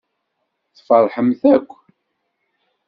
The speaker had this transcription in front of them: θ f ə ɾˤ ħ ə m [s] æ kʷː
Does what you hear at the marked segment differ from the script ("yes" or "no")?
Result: yes